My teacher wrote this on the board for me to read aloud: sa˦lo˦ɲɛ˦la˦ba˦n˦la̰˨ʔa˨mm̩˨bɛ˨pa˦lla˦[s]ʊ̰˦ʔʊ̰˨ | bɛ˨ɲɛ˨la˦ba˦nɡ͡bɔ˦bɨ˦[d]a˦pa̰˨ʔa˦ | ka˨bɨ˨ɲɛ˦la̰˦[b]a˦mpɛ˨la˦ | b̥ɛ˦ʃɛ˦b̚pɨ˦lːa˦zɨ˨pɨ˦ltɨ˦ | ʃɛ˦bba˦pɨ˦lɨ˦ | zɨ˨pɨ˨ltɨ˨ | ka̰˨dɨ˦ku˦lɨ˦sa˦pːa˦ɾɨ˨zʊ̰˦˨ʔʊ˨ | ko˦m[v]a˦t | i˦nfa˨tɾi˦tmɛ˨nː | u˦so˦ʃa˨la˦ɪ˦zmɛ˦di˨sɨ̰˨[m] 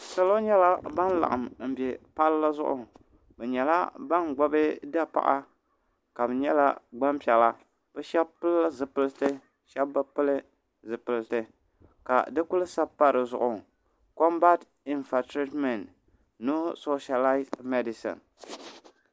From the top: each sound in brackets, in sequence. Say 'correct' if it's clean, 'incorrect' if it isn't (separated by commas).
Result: incorrect, correct, incorrect, incorrect, incorrect